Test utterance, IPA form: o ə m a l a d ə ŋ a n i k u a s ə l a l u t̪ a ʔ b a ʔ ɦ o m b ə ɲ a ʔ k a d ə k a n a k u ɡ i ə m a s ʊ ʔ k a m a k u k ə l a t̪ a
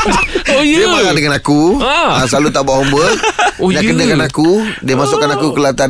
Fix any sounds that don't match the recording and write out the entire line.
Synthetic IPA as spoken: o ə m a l a d ə ŋ a n a k u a s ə l a l u t̪ a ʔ b a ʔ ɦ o m b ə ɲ a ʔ k ə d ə k a n a k u d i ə m a s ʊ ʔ k a n a k u k ə l a t̪ a